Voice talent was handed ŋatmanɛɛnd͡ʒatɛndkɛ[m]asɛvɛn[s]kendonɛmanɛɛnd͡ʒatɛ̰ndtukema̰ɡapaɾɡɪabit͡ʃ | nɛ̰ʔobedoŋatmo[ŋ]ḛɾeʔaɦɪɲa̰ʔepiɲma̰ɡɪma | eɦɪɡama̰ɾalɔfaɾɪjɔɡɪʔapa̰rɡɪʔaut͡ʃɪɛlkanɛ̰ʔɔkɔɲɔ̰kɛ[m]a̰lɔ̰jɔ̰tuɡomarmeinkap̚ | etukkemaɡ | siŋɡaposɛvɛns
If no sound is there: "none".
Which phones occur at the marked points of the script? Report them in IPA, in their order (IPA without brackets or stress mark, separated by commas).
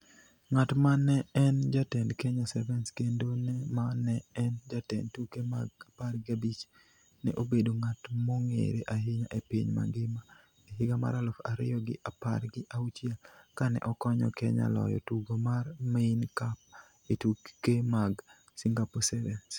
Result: ɲ, s, ŋ, ɲ